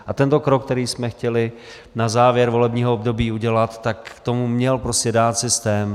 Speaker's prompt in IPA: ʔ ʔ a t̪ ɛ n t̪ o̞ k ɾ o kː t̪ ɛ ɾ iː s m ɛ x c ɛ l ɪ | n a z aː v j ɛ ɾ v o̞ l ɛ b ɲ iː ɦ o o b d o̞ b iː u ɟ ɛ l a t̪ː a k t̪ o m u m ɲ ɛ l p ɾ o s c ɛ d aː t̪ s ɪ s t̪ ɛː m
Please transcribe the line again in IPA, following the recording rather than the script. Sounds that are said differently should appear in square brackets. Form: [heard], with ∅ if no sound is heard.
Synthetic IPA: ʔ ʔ a t̪ ɛ n t̪ o̞ k ɾ o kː t̪ ɛ ɾ iː s m ɛ x c ɛ l ɪ | n a z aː v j ɛ ɾ v o̞ l ɛ b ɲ iː ɦ o o b d o̞ b iː u ɟ ɛ l a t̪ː a k t̪ o m u m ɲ ɛ l p ɾ o s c ɛ d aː t̪ s ɪ s t̪ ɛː m